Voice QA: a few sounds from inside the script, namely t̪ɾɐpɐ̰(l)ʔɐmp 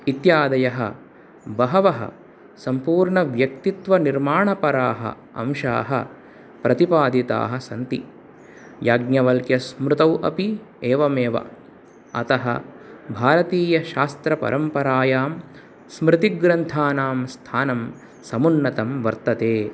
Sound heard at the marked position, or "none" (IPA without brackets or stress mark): ɾ